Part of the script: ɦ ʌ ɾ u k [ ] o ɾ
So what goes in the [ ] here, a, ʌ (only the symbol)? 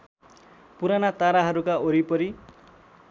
a